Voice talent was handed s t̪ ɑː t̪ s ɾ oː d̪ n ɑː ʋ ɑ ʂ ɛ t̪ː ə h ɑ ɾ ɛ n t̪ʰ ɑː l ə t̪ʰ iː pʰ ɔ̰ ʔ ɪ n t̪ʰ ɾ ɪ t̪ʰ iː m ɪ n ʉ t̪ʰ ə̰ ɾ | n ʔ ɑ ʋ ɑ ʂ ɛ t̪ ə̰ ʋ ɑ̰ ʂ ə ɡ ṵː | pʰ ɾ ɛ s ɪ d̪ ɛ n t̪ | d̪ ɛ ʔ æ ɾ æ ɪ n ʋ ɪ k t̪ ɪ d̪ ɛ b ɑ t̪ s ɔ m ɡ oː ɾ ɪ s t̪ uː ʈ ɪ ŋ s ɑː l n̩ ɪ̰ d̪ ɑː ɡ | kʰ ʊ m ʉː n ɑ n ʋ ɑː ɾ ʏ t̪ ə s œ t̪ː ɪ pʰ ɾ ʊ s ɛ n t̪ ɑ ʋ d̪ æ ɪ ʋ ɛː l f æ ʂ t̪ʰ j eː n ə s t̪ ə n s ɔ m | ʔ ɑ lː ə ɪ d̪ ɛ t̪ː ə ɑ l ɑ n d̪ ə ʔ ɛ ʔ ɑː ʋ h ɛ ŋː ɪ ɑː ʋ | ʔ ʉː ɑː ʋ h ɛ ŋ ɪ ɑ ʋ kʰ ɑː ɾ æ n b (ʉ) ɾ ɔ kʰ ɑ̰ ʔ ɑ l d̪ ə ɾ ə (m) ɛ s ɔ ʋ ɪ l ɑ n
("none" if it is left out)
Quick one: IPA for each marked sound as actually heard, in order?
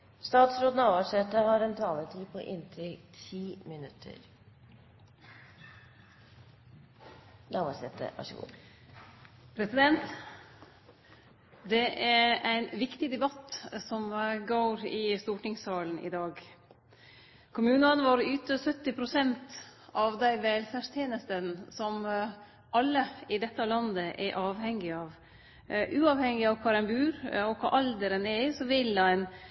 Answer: ʉː, n

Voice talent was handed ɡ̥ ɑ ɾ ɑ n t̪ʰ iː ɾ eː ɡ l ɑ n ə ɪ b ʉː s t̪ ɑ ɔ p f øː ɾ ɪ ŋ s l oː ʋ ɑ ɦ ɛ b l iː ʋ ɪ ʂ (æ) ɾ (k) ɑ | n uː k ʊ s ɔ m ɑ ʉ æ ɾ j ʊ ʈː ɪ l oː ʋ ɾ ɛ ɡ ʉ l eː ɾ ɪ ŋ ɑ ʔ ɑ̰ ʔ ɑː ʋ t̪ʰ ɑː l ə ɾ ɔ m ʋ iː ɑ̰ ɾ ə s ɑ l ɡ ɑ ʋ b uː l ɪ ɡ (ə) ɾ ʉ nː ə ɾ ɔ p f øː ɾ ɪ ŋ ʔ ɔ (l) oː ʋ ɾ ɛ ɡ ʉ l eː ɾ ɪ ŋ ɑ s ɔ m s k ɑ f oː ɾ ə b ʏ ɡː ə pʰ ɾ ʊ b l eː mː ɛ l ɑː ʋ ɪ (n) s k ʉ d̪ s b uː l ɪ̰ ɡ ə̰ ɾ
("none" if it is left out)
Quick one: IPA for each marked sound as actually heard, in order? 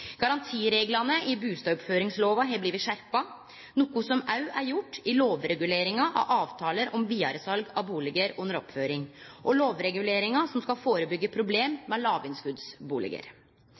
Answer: æ, p, ə, l, n

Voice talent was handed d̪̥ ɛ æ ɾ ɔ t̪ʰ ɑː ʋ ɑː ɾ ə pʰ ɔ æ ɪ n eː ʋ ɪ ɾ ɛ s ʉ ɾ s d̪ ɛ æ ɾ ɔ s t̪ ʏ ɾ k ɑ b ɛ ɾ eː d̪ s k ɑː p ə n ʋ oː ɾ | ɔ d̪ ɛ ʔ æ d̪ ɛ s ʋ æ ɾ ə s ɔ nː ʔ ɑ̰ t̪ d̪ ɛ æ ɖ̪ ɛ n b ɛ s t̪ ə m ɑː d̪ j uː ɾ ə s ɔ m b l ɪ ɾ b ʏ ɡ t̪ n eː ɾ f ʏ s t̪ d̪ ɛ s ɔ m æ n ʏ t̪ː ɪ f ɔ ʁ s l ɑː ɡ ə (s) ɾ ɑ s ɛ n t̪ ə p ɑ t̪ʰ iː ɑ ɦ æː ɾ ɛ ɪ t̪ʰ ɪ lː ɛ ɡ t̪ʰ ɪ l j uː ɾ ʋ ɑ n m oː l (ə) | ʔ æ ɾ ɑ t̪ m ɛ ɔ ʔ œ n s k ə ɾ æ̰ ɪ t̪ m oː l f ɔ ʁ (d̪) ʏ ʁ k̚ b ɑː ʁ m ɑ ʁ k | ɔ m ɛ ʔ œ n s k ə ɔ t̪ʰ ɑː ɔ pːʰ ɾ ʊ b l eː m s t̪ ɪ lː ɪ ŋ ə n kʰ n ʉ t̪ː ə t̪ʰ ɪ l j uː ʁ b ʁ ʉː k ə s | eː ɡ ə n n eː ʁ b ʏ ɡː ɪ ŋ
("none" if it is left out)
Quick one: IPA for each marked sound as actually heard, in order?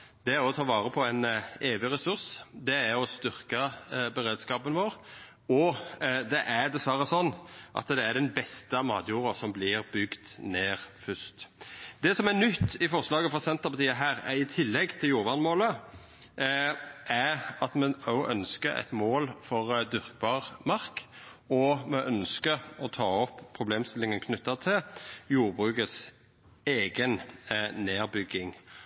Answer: f, ə, d̪

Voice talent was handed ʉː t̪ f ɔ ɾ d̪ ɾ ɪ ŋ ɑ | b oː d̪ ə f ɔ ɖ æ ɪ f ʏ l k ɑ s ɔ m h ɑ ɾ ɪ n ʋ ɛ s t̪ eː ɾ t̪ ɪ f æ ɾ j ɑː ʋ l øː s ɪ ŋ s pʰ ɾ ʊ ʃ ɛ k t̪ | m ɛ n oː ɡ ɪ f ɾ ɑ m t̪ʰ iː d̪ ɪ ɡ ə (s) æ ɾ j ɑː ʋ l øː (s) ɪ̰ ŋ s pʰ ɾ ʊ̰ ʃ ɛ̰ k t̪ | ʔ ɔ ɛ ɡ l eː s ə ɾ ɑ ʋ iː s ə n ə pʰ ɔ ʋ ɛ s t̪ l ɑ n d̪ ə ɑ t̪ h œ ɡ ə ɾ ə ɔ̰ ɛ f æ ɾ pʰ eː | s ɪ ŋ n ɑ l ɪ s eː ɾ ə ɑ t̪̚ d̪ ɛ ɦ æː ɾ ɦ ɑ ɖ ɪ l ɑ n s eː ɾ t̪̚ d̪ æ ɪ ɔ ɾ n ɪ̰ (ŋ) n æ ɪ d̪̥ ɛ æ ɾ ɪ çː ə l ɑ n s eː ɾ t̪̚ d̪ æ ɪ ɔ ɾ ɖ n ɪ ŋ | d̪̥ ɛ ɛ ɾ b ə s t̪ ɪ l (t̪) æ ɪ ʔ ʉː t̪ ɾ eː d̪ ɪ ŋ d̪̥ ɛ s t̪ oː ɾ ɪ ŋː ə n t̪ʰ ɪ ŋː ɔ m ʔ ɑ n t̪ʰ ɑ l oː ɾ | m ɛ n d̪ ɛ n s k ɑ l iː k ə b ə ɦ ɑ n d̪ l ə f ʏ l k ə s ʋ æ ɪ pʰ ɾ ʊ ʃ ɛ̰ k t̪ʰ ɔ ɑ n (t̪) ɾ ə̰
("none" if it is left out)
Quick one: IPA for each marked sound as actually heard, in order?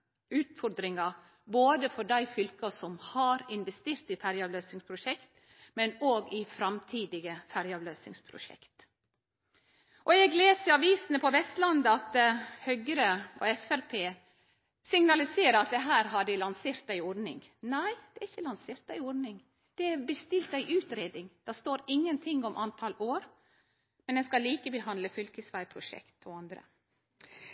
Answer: f, s, ŋ, t̪, d̪

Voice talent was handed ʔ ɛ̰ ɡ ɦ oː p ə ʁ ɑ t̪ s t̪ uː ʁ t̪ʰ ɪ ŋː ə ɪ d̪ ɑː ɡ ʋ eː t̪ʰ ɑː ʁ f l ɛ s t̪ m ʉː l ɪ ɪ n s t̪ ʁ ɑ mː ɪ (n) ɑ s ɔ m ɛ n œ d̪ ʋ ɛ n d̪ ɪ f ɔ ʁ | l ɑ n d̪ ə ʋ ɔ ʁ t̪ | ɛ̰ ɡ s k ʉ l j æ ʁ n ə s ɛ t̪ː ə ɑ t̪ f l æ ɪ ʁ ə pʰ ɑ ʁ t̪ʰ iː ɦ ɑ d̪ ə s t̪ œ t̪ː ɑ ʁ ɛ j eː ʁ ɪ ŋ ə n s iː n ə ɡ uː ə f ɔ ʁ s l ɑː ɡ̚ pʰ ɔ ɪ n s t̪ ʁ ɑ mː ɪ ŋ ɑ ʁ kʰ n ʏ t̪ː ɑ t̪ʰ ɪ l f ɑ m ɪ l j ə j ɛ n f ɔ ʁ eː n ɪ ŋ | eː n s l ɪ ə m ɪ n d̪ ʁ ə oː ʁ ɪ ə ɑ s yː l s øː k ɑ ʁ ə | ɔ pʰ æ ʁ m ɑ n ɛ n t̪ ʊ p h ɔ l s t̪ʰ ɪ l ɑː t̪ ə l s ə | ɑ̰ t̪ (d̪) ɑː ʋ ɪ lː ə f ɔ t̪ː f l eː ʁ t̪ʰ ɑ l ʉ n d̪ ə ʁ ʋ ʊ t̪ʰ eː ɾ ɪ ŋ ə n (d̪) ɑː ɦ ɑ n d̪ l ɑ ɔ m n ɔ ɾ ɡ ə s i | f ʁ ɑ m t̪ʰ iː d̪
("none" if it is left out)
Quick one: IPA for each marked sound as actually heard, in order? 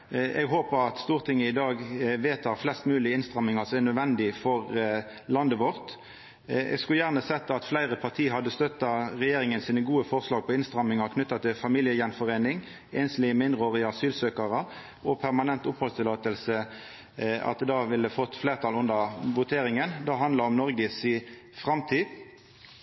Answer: ŋ, d̪, d̪

